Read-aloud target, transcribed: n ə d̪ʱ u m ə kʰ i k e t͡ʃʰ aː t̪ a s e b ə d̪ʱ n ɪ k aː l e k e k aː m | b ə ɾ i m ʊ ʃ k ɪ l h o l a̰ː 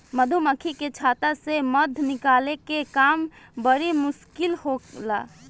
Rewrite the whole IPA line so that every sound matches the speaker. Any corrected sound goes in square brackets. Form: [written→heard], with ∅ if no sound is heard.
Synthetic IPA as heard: [n→m] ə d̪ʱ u m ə kʰ i k e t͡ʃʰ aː t̪ a s e [b→m] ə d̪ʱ n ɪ k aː l e k e k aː m | b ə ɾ i m ʊ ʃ k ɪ l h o l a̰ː